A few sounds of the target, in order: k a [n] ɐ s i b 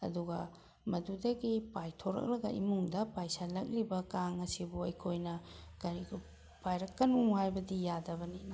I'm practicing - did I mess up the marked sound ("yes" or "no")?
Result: yes